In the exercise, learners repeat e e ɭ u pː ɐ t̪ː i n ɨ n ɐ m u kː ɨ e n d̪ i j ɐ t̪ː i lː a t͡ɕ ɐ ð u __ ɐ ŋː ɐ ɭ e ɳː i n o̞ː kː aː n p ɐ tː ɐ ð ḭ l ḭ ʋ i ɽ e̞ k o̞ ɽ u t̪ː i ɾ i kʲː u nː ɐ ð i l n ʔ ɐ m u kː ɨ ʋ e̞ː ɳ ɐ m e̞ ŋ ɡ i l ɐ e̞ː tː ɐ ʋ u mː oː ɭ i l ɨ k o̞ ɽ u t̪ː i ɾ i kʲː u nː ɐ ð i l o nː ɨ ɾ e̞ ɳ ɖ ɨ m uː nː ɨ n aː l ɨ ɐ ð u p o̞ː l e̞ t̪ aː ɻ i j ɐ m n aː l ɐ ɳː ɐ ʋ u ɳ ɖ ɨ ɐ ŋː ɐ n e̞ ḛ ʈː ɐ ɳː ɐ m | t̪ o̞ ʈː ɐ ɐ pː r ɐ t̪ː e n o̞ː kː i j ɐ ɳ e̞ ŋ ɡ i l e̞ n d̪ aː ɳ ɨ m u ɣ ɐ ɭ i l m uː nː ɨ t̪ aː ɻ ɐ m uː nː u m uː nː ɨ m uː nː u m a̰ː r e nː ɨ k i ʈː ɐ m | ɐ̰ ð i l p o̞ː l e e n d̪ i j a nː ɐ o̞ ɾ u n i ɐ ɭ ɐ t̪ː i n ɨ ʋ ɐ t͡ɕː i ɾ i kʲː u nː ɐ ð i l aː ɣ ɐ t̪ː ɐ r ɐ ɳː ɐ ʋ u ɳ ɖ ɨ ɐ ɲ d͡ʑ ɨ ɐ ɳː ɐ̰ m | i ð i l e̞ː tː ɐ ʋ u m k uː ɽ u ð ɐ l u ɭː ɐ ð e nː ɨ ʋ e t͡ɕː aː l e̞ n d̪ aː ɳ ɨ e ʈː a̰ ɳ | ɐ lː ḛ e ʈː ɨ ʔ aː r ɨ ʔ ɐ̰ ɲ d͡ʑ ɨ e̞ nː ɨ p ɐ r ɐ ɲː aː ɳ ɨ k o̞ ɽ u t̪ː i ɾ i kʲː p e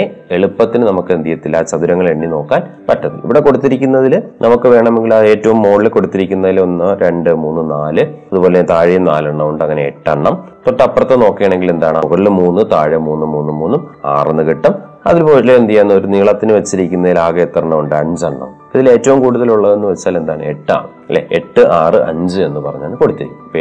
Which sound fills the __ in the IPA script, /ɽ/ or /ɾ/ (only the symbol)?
ɾ